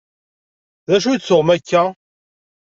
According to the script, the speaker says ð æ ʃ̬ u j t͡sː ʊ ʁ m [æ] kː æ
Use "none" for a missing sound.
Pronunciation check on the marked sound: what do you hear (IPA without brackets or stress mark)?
æ